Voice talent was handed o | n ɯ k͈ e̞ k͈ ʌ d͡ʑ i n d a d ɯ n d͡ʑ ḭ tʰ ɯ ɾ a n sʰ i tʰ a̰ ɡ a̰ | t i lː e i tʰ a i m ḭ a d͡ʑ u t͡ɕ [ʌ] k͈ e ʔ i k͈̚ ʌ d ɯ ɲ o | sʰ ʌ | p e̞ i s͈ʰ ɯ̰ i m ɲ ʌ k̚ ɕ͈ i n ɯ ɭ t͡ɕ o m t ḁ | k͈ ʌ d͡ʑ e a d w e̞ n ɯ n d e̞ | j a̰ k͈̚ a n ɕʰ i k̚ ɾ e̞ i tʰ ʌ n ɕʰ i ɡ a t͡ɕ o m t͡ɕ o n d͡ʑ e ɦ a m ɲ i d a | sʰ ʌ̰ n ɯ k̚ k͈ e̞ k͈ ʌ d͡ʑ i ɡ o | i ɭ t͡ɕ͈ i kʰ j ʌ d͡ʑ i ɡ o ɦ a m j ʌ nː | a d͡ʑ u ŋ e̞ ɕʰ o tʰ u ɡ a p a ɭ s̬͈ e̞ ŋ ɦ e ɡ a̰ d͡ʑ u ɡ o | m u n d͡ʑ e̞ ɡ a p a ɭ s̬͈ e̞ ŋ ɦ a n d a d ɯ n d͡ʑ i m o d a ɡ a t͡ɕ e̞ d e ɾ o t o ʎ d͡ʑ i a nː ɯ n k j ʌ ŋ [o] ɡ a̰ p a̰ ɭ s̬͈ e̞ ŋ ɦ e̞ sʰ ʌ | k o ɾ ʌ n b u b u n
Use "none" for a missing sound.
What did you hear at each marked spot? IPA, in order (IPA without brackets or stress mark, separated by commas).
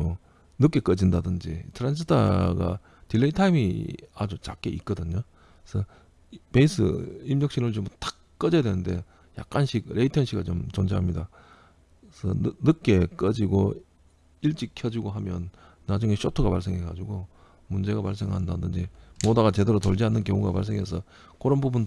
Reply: a, u